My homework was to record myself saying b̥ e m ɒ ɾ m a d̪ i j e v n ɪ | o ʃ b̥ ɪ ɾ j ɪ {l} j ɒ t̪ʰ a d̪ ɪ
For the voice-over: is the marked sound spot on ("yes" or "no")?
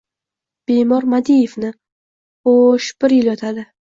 yes